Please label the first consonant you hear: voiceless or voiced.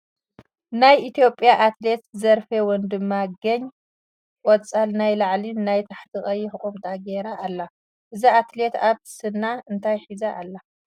voiced